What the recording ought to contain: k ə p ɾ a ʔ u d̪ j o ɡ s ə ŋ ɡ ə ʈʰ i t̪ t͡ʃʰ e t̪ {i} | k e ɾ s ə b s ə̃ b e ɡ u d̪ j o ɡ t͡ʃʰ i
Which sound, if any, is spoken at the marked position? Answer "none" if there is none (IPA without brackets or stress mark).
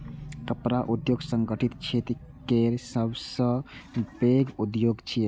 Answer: i